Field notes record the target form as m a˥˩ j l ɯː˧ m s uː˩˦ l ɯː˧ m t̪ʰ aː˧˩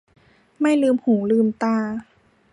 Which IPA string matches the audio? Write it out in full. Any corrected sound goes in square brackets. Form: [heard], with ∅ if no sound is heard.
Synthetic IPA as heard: m a˥˩ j l ɯː˧ m [h] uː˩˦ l ɯː˧ m [t̪] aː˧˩